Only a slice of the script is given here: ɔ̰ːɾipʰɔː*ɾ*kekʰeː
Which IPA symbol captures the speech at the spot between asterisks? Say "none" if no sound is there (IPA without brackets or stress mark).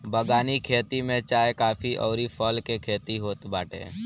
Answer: l